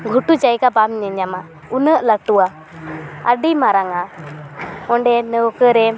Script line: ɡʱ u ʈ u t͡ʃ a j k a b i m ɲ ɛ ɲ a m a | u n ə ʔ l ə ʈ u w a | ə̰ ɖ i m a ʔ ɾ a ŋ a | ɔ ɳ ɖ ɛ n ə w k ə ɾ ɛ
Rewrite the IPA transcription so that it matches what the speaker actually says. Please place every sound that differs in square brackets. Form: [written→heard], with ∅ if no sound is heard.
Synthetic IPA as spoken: ɡʱ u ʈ u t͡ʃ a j k a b [i→a] m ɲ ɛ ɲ a m a | u n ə ʔ l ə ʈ u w a | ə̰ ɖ i m a [ʔ→∅] ɾ a ŋ a | ɔ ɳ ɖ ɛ n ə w k ə ɾ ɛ